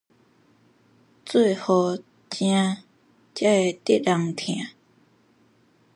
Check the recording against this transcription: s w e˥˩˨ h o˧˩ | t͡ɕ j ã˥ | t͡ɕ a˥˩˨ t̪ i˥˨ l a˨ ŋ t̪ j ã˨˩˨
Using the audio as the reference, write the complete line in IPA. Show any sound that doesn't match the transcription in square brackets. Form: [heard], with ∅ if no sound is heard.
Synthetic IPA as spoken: [t͡s] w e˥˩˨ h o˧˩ | t͡ɕ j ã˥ | t͡ɕ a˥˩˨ t̪ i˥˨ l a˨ ŋ [t̪ʰ] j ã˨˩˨